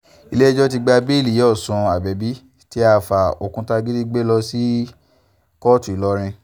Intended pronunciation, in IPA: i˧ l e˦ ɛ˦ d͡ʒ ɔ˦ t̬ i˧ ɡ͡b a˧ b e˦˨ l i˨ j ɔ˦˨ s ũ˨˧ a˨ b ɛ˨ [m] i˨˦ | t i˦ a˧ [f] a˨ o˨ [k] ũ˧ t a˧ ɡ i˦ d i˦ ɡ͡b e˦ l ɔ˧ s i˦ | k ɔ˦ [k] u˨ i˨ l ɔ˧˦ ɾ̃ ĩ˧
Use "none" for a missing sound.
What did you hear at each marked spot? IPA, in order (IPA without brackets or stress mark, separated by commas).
b, f, k, t